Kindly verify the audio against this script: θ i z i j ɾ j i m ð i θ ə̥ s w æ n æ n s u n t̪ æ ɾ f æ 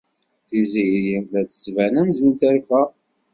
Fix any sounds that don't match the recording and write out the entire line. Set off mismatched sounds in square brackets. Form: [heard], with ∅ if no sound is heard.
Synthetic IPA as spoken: θ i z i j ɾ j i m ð [æ] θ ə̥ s [v] æ n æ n [z] u n t̪ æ ɾ f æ